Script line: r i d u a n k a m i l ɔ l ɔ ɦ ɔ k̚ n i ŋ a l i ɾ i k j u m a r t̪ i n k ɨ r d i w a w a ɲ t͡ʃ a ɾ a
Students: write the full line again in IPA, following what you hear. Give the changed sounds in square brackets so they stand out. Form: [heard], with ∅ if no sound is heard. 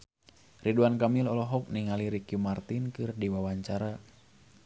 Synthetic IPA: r i d u a n k a m i l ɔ l ɔ ɦ ɔ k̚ n i ŋ a l i ɾ i k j u m a r t̪ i n k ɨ r d i w a w a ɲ t͡ʃ a ɾ a